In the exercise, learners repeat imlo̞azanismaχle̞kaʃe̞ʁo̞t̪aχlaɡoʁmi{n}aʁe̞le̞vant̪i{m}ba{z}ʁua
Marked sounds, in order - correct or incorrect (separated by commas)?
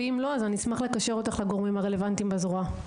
incorrect, correct, correct